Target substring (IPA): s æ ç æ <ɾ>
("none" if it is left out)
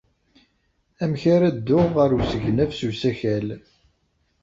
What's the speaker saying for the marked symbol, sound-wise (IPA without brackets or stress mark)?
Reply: l